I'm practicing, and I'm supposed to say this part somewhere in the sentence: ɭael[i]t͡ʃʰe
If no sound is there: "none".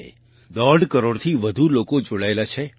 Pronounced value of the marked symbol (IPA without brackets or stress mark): a